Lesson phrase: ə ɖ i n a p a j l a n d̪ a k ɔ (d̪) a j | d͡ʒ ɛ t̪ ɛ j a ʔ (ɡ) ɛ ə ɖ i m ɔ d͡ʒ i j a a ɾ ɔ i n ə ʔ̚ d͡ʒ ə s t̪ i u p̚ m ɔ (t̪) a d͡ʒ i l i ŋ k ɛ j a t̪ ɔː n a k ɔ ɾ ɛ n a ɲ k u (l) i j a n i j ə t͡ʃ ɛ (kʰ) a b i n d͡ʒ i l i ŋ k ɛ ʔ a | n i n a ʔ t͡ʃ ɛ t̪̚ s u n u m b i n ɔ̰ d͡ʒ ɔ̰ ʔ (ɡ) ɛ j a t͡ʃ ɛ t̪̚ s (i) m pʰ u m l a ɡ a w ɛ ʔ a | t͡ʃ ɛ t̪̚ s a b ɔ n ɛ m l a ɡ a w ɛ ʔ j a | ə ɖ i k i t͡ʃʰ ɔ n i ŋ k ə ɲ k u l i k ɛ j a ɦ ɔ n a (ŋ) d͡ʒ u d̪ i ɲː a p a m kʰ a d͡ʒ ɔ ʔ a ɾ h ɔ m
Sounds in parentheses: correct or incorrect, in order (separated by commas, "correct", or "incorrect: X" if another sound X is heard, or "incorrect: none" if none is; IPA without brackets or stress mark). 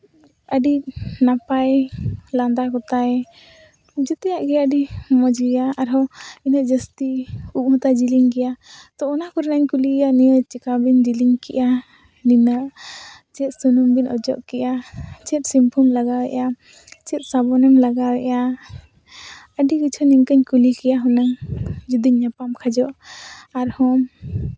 incorrect: t̪, correct, correct, correct, incorrect: k, incorrect: k, correct, correct